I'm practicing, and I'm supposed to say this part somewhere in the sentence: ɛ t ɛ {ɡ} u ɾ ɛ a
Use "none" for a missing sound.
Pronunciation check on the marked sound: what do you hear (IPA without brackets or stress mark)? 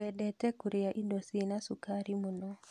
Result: k